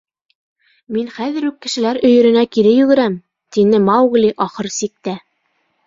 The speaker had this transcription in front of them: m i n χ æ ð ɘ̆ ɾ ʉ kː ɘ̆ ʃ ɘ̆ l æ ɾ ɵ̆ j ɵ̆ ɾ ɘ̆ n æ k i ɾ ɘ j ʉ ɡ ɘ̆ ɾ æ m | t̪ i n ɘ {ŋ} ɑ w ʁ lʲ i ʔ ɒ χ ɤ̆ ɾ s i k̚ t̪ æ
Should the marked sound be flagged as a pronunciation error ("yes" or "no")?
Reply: yes